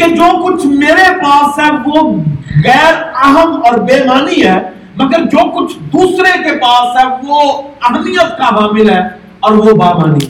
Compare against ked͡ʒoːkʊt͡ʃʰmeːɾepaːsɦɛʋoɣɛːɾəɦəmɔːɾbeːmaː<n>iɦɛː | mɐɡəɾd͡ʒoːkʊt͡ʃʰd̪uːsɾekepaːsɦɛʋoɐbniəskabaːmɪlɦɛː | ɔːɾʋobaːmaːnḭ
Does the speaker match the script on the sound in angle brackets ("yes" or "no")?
yes